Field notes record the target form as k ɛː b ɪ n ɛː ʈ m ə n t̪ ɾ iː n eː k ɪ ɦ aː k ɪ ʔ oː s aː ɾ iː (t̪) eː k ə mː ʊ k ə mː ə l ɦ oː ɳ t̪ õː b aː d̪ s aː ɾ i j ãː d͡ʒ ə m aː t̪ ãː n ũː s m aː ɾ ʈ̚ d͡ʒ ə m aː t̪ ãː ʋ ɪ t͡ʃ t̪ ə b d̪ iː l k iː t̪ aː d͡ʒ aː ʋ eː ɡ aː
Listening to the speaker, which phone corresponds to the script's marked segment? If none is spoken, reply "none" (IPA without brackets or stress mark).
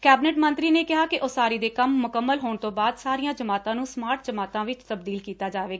d̪